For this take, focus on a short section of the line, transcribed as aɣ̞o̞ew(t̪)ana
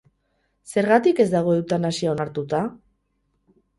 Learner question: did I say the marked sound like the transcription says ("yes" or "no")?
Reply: yes